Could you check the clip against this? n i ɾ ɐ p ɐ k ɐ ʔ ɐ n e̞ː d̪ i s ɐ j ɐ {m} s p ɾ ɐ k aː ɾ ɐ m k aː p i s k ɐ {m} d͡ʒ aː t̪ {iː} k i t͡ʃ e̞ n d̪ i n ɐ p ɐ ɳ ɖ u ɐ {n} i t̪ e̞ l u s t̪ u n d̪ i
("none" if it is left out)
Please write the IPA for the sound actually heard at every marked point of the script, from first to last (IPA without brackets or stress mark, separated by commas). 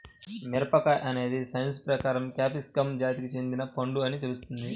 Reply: n, m, i, n